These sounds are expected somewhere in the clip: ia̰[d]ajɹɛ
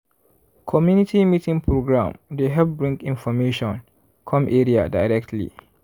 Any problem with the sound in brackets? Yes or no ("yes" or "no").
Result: no